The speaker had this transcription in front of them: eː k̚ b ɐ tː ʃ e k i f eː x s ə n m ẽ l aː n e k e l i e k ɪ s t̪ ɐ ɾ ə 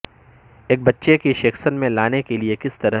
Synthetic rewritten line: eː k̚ b ɐ tː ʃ e k i ʃ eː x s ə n m ẽ l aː n e k e l i e k ɪ s t̪ ɐ ɾ ə